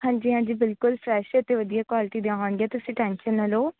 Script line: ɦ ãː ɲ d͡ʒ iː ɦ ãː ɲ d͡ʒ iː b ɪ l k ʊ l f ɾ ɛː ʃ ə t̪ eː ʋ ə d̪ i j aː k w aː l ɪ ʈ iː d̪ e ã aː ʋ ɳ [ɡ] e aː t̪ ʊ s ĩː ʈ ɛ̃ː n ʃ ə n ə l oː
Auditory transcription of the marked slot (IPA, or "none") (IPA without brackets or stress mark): ɡ